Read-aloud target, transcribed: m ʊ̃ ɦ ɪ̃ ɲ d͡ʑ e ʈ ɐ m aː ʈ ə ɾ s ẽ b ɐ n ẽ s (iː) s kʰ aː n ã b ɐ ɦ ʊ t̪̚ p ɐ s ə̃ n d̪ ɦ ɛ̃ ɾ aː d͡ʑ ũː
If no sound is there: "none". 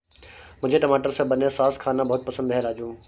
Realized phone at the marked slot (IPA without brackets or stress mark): aː